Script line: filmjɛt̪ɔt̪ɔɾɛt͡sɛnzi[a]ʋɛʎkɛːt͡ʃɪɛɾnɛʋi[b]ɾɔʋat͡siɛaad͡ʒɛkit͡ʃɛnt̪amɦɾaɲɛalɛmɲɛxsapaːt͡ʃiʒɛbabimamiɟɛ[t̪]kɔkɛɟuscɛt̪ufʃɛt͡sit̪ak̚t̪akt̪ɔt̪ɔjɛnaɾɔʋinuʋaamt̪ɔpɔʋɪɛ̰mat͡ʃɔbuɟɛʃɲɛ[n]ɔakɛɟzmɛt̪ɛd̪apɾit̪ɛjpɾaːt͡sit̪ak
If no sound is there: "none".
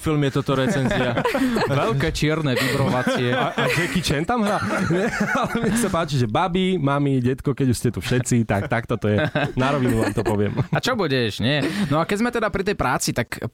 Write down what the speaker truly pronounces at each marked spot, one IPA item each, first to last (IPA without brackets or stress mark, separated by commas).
a, b, t̪, n